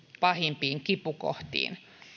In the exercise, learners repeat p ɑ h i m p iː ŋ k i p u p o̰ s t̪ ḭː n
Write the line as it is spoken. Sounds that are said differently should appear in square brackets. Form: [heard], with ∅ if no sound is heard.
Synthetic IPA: p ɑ h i m p iː ŋ k i p u [k] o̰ [h] t̪ ḭː n